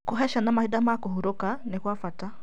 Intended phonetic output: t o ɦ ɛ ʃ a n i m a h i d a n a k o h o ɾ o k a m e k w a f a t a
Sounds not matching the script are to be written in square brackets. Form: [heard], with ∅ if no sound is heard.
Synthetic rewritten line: [k] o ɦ ɛ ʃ a n [a] m a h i d a [m] a k o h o ɾ o k a [n] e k w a f a t a